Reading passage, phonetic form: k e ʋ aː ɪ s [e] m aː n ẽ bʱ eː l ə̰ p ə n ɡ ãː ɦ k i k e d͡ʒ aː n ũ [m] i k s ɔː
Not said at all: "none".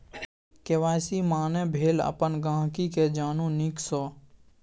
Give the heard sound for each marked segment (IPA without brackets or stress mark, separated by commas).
i, n